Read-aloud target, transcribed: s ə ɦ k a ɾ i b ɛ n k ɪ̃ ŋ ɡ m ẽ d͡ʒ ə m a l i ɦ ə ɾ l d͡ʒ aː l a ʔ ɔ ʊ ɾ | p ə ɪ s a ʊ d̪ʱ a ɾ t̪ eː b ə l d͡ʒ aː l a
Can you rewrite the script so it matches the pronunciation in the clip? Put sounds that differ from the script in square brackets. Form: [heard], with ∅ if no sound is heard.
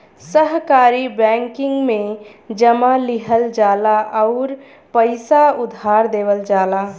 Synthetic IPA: s ə ɦ k a ɾ i b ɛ [ŋ] k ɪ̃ ŋ ɡ m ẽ d͡ʒ ə m a l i ɦ ə [∅] l d͡ʒ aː l a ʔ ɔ ʊ ɾ | p ə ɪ s a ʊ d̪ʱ a ɾ [d̪] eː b ə l d͡ʒ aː l a